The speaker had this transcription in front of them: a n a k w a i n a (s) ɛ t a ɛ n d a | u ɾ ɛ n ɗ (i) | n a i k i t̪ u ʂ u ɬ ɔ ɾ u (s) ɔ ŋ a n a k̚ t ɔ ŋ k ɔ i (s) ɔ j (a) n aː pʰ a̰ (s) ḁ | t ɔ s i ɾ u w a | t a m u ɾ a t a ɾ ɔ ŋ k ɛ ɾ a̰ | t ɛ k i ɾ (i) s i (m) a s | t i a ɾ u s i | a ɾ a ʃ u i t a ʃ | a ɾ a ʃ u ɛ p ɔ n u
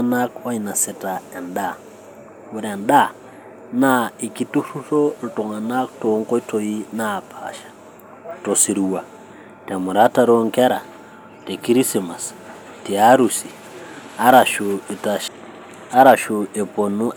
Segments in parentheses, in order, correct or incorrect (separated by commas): correct, incorrect, incorrect, incorrect, incorrect, incorrect, correct, correct